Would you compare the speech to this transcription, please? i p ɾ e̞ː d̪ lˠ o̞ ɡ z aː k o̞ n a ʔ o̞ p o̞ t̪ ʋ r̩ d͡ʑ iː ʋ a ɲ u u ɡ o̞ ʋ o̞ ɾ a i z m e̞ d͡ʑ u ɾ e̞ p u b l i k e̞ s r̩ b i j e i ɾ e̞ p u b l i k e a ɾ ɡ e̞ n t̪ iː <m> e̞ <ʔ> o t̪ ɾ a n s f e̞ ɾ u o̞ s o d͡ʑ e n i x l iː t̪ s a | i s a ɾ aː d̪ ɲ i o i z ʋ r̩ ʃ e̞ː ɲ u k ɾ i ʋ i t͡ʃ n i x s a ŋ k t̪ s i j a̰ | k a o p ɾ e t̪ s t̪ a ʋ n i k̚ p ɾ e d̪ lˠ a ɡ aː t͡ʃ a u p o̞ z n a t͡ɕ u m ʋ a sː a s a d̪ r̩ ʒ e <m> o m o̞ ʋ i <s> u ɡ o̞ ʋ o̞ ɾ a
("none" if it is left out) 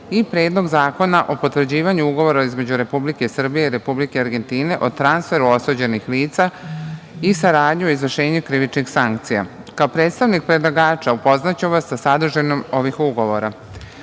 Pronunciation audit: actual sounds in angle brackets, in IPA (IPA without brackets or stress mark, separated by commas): n, ʔ, n, x